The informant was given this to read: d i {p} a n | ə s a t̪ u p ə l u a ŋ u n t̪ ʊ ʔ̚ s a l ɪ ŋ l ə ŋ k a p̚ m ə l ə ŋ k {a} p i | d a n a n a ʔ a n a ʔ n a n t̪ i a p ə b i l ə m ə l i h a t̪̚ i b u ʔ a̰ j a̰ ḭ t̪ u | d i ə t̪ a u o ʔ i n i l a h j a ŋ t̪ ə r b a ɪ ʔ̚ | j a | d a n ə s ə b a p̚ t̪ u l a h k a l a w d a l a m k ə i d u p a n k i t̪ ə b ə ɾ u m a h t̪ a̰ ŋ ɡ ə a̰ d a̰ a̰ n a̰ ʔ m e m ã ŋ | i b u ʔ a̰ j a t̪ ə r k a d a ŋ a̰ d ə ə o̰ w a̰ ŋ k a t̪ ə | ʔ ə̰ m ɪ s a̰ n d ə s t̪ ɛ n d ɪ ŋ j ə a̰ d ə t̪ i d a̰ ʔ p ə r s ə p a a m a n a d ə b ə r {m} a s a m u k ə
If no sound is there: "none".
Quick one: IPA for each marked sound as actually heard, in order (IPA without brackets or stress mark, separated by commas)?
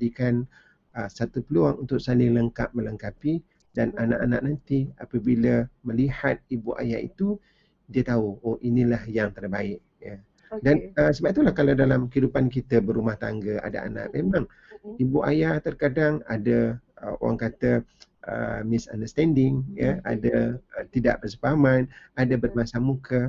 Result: k, a, m